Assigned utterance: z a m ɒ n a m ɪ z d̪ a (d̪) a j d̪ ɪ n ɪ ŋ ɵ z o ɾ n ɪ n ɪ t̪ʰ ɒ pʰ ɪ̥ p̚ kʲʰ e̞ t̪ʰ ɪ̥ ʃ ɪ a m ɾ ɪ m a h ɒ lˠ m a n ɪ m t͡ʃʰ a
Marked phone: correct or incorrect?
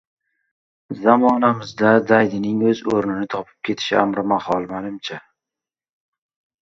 correct